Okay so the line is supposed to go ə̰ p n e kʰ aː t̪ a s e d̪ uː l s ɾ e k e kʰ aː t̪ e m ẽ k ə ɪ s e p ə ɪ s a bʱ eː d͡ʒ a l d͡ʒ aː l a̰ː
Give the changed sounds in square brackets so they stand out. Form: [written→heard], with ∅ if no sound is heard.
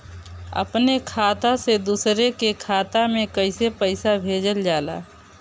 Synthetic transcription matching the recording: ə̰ p n e kʰ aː t̪ a s e d̪ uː [l→∅] s ɾ e k e kʰ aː t̪ [e→a] m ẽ k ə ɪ s e p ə ɪ s a bʱ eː d͡ʒ [a→ə] l d͡ʒ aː l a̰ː